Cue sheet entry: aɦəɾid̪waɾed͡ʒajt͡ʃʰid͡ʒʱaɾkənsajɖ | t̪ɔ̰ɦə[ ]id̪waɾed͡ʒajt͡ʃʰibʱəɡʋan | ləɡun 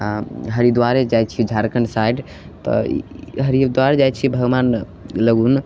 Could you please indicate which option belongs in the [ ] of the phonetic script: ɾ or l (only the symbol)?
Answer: ɾ